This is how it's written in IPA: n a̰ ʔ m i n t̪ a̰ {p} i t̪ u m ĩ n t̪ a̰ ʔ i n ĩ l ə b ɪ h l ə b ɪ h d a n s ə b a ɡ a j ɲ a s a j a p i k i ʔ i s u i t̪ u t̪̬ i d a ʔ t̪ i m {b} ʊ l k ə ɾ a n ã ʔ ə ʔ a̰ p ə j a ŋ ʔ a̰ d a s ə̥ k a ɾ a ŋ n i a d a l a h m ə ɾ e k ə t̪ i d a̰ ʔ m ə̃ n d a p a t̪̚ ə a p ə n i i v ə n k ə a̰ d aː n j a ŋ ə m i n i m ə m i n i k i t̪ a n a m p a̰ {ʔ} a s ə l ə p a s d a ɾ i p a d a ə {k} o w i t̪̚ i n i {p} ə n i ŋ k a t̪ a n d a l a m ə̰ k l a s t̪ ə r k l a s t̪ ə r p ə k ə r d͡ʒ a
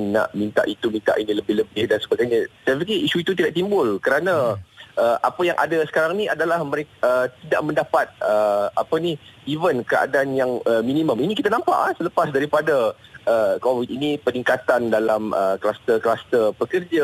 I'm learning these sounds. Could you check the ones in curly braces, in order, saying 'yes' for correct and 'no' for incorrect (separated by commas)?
no, yes, yes, yes, yes